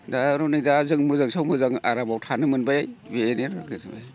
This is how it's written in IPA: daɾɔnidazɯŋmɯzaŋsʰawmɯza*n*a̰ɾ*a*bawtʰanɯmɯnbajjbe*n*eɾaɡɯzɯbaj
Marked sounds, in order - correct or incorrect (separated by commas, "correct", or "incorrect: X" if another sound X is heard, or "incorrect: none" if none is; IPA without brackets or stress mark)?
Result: incorrect: ŋ, correct, correct